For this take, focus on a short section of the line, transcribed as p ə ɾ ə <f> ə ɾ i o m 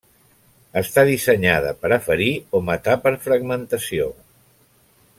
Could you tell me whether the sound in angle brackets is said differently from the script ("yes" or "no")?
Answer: no